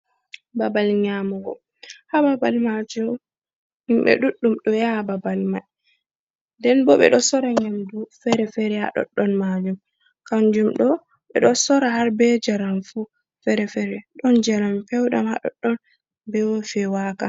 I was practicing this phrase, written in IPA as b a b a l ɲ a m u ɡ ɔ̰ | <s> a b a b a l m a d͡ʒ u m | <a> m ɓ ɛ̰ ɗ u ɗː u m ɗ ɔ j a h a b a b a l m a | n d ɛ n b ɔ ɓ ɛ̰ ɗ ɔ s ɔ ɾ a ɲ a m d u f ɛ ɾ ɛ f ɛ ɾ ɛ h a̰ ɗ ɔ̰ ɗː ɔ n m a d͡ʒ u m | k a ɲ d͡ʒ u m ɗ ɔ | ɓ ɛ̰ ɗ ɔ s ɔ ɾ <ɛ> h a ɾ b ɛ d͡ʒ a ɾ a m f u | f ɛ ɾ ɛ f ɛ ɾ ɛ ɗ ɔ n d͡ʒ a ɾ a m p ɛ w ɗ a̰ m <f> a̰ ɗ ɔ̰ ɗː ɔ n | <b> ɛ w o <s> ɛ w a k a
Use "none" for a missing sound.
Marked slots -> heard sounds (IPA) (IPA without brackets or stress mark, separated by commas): h, i, a, h, b, f